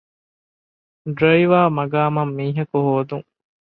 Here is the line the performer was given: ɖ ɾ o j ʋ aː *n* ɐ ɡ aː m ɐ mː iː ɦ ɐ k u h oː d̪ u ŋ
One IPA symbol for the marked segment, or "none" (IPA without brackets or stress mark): m